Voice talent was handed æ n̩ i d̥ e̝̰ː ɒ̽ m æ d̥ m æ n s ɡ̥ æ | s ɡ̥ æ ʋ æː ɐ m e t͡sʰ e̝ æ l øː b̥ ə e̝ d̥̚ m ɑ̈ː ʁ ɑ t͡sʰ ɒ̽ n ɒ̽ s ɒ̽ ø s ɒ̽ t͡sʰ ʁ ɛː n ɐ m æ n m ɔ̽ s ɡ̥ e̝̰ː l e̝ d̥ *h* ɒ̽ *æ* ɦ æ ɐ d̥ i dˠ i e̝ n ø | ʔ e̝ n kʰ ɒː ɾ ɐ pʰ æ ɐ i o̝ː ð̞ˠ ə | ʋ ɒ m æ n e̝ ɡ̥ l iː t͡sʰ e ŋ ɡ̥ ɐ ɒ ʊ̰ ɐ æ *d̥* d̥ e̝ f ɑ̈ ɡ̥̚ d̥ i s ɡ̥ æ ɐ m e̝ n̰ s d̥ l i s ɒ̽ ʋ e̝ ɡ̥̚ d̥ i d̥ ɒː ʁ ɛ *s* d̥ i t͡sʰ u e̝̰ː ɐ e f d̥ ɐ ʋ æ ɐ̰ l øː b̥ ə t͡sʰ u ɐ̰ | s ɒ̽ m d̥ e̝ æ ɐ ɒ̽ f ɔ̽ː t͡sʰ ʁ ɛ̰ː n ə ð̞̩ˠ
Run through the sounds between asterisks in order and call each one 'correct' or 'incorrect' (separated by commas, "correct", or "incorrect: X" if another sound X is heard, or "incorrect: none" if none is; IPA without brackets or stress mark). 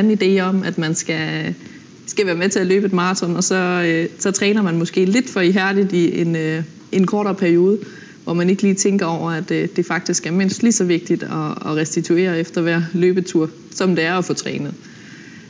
incorrect: f, incorrect: i, correct, correct